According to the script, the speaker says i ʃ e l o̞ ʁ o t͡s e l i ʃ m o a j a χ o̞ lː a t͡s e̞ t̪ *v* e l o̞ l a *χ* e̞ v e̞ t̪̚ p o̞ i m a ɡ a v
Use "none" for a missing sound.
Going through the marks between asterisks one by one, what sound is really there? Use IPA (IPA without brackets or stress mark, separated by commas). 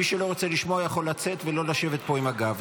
v, ʃ